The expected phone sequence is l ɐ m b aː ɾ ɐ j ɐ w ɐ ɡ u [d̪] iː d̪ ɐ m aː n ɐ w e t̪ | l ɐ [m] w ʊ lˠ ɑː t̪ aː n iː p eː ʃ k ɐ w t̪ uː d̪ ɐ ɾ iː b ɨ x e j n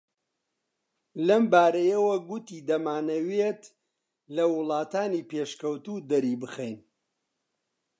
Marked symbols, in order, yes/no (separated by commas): no, no